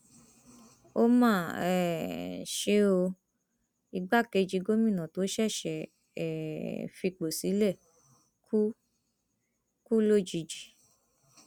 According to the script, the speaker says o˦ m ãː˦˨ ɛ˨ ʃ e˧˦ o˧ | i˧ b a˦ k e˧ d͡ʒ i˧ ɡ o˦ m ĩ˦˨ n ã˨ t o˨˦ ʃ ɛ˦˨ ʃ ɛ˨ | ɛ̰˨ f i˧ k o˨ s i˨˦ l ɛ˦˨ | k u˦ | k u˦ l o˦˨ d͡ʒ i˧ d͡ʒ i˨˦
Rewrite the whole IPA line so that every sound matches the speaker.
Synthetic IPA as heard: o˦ m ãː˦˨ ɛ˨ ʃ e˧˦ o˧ | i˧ ɡ͡b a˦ k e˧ d͡ʒ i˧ ɡ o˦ m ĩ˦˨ n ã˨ t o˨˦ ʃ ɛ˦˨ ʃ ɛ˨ | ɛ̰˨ f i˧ k͡p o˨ s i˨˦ l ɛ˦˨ | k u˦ | k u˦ l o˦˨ d͡ʒ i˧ d͡ʒ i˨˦